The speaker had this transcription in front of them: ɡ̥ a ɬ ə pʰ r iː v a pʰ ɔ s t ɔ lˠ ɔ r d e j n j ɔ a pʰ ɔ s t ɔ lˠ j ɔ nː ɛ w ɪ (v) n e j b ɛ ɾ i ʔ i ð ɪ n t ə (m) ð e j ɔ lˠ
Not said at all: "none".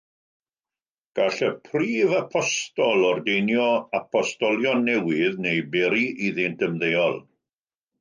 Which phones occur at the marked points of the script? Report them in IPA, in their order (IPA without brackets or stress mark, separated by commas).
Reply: ð, m